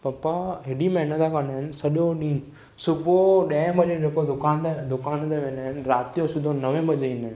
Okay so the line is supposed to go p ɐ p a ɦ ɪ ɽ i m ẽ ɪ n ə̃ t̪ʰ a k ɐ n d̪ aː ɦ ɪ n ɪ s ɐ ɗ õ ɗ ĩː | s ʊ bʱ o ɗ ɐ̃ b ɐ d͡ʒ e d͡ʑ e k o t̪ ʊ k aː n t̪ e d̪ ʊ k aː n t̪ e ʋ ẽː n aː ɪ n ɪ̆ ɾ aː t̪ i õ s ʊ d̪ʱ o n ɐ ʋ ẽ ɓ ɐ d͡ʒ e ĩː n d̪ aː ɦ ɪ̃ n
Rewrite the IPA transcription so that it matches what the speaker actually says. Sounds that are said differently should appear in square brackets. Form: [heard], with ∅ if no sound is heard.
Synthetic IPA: p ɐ p a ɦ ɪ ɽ i m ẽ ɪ n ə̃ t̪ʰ a k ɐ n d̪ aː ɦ ɪ n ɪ s ɐ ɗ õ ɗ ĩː | s ʊ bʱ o ɗ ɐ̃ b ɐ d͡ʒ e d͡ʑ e k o [d̪] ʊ k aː n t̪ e d̪ ʊ k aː n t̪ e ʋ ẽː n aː ɪ n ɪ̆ ɾ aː t̪ i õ s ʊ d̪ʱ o n ɐ ʋ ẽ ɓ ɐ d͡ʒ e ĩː n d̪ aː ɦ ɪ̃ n